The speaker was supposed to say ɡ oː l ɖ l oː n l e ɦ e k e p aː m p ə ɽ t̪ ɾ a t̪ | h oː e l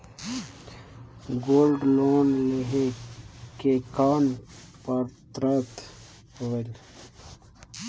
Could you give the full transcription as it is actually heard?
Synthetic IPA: ɡ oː l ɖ l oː n l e ɦ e k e k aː n p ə ɾ t̪ ɾ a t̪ | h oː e l